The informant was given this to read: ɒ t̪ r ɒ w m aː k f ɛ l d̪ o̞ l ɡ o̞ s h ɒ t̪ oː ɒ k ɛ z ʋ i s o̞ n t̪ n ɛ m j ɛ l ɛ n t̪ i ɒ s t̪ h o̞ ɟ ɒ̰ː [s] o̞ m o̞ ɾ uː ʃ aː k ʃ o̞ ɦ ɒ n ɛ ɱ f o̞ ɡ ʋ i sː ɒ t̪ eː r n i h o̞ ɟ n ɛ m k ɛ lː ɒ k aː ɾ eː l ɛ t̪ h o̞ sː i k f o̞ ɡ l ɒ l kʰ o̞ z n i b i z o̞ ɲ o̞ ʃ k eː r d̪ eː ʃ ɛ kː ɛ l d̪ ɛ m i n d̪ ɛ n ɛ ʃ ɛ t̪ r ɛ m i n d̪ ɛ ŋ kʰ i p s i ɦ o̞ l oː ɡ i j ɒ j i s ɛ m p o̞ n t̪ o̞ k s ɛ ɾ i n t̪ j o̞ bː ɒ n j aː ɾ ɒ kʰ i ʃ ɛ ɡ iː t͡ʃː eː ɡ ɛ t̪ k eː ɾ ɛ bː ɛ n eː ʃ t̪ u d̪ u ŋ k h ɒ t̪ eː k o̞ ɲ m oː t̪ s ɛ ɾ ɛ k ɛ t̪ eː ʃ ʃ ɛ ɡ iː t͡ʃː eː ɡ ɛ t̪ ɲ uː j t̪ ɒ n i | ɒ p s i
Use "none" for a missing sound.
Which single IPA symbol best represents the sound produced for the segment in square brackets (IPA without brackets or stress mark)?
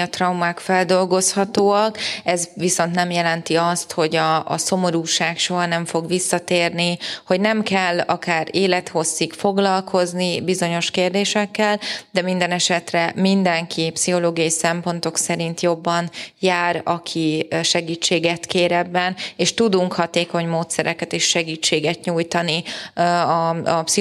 s